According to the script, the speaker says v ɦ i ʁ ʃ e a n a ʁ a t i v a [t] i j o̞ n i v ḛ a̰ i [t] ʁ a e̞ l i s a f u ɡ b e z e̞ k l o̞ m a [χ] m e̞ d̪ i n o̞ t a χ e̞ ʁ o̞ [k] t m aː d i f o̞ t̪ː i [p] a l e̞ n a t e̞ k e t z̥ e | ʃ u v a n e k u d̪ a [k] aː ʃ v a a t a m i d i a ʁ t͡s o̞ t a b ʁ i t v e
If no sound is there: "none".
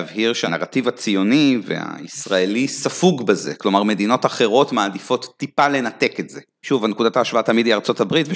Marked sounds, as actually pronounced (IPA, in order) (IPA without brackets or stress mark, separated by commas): t͡s, s, ʁ, none, p, t